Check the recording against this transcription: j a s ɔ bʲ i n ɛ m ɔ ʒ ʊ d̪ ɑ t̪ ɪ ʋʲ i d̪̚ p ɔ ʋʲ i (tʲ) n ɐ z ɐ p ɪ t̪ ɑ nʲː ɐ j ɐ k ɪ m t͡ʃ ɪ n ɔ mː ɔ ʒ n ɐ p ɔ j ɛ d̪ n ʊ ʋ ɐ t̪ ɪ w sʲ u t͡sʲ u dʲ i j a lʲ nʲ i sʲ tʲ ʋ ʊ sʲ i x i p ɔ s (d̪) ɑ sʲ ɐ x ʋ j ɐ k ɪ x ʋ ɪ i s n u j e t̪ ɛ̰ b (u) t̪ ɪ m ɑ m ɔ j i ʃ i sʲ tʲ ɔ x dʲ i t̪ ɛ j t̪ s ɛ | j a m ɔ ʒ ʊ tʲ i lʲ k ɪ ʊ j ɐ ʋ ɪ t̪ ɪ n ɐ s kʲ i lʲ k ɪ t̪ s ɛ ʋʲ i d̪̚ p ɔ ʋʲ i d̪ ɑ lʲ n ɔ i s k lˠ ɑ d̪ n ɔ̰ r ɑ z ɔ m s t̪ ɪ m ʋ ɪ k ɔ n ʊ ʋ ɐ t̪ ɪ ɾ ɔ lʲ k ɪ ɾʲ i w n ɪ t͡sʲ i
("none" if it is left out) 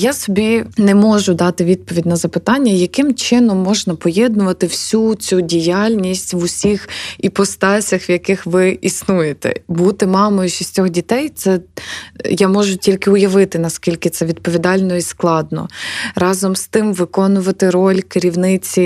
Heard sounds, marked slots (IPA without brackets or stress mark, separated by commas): dʲ, t̪, u